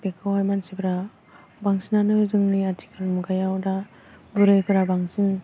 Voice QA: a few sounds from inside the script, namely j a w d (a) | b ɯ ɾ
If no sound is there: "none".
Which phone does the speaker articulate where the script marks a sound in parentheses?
a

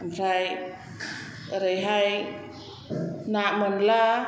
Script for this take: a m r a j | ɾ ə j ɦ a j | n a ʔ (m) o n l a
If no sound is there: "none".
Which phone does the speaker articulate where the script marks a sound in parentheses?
m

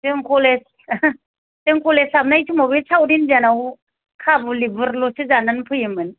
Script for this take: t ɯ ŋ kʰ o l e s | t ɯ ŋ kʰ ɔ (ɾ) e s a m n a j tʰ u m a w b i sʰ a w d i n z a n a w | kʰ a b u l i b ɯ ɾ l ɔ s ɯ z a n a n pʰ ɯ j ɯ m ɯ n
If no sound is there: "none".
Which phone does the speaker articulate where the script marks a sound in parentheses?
l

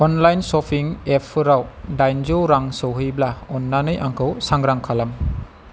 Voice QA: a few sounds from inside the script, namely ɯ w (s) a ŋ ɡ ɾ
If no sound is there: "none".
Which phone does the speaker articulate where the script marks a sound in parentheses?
s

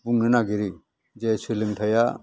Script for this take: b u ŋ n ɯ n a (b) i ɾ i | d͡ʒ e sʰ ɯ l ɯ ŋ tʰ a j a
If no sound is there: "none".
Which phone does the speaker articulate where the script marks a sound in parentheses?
ɡ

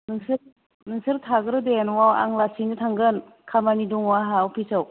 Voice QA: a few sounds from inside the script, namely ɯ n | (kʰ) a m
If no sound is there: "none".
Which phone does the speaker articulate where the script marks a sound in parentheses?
kʰ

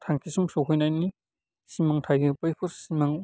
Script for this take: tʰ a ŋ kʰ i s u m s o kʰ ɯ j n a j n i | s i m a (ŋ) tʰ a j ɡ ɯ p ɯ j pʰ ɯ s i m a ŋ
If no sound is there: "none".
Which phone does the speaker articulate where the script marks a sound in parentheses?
ŋ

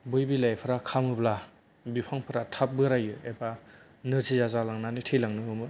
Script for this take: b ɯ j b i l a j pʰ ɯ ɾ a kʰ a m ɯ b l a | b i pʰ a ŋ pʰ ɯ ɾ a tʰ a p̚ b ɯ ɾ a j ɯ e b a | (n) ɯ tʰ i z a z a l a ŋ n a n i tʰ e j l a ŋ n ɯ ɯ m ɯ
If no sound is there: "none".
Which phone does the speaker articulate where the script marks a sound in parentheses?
n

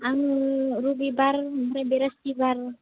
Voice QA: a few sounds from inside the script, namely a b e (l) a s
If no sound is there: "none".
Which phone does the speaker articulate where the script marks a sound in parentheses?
ɾ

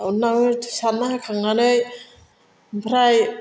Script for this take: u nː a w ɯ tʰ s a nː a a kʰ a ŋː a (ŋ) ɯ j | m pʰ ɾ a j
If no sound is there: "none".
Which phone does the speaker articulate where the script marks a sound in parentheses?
n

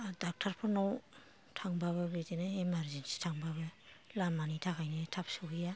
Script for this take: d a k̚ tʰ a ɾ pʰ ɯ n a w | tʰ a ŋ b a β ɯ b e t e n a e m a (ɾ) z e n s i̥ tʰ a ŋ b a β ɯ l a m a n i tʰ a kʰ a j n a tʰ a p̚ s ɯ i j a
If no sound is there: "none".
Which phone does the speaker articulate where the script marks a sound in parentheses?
ɾ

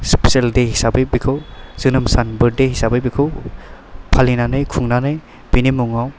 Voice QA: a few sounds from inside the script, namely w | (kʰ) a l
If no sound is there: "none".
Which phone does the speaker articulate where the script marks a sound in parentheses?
pʰ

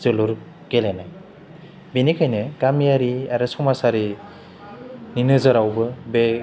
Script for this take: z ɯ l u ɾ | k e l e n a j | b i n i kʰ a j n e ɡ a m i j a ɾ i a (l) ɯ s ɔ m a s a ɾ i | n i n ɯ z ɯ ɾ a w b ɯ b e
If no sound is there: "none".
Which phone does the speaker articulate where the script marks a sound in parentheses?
ɾ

